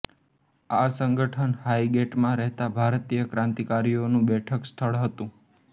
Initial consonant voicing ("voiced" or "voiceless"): voiceless